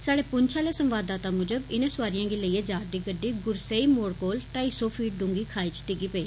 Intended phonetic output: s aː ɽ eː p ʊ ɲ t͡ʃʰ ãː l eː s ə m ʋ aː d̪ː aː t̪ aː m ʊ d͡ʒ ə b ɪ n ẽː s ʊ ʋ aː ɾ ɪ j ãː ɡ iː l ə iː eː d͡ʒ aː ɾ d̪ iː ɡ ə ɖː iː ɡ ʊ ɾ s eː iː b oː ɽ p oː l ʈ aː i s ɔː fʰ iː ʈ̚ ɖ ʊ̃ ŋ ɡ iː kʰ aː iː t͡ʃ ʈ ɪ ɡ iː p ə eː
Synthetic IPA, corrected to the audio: s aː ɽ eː p ʊ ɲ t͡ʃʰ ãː l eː s ə m ʋ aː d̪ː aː t̪ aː m ʊ d͡ʒ ə b ɪ n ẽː s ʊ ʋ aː ɾ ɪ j ãː ɡ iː l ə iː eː d͡ʒ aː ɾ d̪ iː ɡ ə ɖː iː ɡ ʊ ɾ s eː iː m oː ɽ k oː l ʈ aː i s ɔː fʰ iː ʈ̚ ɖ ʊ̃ ŋ ɡ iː kʰ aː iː t͡ʃ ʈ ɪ ɡ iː p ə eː